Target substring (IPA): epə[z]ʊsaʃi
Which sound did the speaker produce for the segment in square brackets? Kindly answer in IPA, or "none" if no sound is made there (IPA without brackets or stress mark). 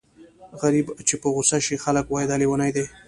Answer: ɣ